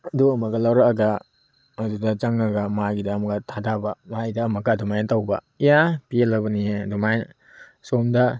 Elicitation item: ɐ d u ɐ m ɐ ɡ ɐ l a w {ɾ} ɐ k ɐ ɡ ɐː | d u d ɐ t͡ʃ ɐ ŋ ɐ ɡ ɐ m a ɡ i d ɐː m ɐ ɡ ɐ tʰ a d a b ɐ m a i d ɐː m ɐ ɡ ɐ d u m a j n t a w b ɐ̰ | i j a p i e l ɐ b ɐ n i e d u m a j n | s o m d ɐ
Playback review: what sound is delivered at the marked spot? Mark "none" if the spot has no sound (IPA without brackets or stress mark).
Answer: ɾ